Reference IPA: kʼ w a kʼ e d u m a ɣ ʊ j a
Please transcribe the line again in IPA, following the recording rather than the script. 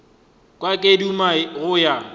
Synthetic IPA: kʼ w a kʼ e d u m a ɣ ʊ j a